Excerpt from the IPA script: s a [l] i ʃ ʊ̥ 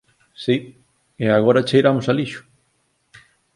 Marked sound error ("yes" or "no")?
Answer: no